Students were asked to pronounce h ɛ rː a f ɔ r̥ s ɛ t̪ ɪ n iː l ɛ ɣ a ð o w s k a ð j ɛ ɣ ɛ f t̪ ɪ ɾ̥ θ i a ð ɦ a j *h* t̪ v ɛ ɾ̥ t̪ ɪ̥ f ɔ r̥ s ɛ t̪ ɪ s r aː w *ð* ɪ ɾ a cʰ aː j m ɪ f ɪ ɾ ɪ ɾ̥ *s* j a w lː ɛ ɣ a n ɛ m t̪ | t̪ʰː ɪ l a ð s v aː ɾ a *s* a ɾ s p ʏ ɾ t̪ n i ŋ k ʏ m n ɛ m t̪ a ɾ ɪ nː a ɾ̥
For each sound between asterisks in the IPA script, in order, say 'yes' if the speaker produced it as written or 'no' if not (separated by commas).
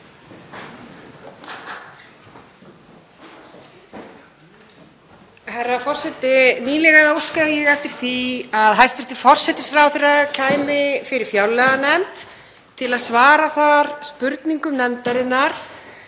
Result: no, no, no, no